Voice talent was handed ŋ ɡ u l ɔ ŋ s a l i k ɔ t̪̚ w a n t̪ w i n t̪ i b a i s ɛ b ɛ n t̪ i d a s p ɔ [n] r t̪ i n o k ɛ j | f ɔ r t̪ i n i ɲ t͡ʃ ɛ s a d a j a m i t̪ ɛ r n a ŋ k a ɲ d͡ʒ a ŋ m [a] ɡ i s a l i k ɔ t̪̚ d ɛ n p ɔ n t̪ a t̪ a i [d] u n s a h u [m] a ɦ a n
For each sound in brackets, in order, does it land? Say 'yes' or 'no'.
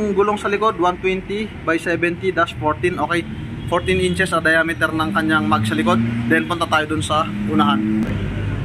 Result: no, yes, yes, no

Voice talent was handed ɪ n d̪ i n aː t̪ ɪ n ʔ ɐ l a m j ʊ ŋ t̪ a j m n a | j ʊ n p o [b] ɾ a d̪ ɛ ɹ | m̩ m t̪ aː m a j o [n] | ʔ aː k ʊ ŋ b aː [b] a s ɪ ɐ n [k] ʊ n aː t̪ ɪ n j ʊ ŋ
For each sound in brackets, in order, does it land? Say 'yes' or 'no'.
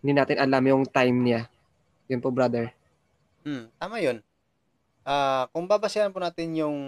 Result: yes, yes, yes, no

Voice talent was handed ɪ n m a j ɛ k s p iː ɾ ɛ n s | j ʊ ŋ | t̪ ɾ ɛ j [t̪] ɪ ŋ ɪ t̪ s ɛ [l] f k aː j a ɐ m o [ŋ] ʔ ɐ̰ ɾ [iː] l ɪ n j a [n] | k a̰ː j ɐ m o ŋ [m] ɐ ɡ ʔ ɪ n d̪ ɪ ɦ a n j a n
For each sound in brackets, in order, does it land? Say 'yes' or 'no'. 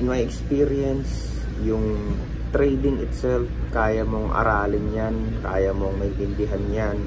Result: no, yes, yes, no, yes, yes

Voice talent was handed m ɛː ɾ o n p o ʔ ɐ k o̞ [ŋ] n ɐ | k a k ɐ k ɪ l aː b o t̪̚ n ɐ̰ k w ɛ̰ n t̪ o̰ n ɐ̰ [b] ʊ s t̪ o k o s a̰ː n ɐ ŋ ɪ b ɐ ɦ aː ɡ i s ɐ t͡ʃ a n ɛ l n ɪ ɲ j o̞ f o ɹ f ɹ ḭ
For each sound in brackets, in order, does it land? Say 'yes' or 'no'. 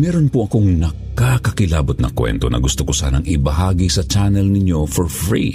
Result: yes, no

